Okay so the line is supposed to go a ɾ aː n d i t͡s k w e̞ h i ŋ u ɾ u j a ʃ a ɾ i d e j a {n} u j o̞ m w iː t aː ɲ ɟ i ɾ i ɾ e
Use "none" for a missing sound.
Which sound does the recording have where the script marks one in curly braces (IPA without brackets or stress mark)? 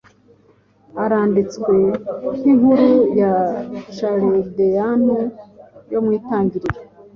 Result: n